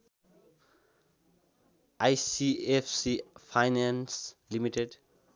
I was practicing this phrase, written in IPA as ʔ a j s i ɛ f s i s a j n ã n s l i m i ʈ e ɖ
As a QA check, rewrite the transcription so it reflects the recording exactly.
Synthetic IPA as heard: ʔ a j s i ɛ f s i f a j n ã n s l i m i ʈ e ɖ